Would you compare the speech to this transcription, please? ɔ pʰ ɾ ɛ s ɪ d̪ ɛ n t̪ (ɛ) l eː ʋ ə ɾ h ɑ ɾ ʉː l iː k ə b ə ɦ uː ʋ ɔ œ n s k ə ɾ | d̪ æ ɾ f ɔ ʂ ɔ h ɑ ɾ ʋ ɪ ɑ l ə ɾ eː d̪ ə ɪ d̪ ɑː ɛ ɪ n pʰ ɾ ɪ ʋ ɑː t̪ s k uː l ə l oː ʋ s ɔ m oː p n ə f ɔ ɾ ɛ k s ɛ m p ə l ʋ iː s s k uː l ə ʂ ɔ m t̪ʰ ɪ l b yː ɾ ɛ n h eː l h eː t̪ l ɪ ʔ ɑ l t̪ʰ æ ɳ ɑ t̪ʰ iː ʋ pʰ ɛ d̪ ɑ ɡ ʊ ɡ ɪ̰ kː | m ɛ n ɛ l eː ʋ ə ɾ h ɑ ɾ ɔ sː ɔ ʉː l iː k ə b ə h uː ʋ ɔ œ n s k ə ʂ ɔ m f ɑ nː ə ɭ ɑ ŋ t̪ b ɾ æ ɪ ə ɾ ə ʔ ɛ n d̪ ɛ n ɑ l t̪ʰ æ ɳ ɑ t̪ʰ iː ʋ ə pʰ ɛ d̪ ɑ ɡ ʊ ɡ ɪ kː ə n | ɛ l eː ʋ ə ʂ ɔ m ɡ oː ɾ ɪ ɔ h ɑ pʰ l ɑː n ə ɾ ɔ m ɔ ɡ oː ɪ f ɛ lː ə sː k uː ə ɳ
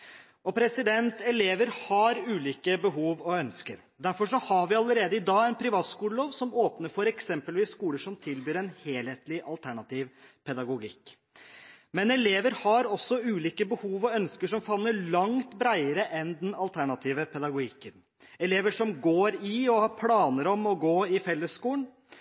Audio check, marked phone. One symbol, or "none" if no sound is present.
ɛ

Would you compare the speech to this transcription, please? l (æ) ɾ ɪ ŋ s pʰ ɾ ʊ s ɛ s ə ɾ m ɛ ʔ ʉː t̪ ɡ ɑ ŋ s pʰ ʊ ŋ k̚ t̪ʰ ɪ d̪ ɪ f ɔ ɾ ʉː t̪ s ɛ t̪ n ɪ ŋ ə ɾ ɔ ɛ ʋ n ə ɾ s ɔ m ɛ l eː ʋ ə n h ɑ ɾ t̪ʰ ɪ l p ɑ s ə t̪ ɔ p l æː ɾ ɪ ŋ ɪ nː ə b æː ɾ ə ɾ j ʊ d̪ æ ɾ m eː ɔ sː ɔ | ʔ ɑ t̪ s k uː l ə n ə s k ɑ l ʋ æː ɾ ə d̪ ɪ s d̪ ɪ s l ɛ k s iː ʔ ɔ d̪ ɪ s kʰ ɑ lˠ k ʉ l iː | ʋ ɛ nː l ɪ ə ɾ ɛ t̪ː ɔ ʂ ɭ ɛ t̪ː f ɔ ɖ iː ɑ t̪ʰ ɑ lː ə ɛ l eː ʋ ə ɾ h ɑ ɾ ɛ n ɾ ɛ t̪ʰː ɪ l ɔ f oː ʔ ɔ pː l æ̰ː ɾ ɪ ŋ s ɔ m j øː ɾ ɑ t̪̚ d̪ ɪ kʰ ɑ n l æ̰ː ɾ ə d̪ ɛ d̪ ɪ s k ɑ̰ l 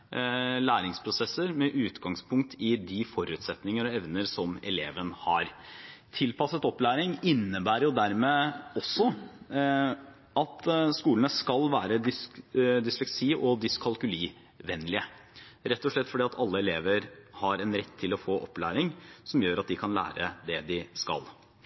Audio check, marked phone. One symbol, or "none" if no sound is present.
æː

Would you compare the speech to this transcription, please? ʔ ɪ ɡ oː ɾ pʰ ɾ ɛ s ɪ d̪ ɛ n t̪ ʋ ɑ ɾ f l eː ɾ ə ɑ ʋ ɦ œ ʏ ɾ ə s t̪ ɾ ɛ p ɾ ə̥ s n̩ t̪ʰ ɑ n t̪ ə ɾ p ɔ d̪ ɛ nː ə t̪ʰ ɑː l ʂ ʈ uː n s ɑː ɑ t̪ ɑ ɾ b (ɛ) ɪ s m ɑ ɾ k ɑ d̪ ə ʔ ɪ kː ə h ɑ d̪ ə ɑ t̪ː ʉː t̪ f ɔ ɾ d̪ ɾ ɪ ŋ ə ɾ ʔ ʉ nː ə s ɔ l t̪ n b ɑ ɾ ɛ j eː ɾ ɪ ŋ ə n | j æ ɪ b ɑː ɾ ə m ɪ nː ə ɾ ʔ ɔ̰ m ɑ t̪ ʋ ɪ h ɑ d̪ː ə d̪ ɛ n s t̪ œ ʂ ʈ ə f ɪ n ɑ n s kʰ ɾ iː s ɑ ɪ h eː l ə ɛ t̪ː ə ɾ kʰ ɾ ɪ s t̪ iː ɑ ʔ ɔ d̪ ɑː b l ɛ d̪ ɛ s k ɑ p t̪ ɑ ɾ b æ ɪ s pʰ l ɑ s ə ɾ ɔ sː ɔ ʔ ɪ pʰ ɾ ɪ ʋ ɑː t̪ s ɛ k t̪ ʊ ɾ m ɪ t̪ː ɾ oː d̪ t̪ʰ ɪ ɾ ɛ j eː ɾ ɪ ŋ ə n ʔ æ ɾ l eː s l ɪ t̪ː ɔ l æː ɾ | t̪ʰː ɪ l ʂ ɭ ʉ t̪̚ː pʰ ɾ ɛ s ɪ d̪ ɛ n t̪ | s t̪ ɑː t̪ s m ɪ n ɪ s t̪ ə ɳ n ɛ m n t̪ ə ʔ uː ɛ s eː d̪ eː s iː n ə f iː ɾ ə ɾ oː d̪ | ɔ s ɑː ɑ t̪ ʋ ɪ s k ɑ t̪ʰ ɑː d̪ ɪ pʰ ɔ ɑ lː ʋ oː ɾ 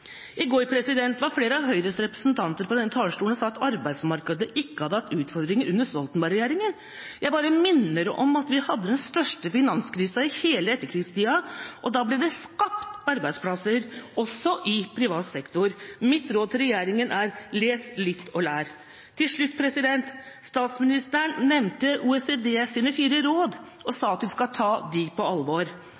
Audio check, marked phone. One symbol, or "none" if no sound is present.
æ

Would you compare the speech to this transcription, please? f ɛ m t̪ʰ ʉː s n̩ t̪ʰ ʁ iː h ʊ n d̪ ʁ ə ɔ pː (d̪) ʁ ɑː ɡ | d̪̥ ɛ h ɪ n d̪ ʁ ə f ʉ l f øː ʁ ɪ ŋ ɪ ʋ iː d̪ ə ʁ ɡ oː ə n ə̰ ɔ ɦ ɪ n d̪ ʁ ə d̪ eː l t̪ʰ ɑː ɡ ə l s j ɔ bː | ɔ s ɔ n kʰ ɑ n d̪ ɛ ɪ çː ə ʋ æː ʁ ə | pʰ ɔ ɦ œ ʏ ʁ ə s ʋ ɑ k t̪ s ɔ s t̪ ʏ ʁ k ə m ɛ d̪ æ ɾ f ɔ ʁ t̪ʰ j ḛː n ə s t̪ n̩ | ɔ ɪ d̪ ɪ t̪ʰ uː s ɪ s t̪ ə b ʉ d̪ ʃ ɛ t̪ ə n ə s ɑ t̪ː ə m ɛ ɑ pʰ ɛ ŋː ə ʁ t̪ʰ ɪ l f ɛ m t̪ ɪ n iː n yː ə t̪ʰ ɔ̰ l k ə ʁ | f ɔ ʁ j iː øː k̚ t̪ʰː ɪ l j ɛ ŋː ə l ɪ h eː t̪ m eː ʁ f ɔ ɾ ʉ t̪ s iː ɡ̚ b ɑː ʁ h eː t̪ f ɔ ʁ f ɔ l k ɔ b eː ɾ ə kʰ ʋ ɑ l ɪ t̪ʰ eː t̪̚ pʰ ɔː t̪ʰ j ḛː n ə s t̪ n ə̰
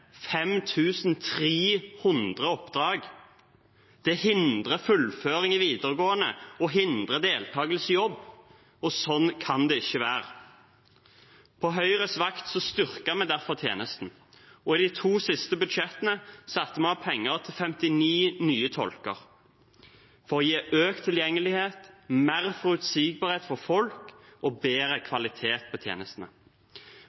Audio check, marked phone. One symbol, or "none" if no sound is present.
d̪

